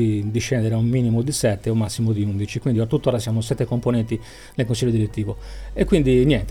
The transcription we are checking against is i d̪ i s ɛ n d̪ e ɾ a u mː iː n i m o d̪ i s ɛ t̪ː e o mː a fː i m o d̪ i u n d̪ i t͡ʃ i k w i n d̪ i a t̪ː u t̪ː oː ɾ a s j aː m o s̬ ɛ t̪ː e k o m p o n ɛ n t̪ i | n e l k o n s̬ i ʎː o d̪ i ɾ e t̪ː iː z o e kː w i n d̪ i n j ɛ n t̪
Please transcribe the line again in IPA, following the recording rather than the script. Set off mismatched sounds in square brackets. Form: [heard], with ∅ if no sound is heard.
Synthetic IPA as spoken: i d̪ i [ʃ] ɛ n d̪ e ɾ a u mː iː n i m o d̪ i s ɛ t̪ː e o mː a [sː] i m o d̪ i u n d̪ i t͡ʃ i k w i n d̪ i a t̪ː u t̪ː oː ɾ a s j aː m o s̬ ɛ t̪ː e k o m p o n ɛ n t̪ i | n e l k o n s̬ i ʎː o d̪ i ɾ e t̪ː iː [v] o e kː w i n d̪ i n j ɛ n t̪